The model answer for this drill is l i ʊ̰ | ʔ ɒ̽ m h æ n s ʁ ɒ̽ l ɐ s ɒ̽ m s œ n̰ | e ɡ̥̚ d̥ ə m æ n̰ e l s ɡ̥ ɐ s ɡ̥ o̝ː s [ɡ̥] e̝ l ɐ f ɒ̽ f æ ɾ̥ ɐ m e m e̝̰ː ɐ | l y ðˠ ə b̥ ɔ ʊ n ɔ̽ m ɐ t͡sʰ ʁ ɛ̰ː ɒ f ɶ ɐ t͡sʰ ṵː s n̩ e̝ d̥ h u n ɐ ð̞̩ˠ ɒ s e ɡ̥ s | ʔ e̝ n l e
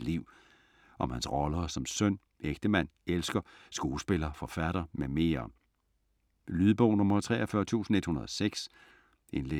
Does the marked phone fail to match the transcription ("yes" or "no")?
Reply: yes